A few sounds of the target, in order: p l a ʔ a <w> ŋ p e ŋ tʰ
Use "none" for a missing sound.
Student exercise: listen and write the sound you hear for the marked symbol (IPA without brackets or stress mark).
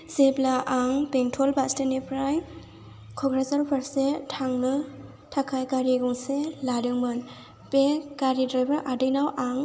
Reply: none